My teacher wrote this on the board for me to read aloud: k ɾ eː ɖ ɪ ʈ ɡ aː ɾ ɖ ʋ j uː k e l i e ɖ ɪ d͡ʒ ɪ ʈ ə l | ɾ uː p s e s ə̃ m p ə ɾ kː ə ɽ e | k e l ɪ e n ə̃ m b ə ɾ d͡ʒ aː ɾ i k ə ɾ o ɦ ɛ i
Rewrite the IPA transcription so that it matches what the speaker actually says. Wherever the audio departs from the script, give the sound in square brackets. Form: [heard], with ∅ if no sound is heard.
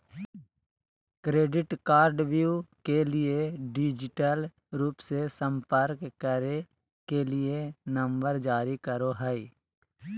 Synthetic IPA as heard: k ɾ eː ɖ ɪ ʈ [k] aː ɾ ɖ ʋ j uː k e l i e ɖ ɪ d͡ʒ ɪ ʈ ə l | ɾ uː p s e s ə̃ m p ə ɾ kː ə [ɾ] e | k e l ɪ e n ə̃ m b ə ɾ d͡ʒ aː ɾ i k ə ɾ o ɦ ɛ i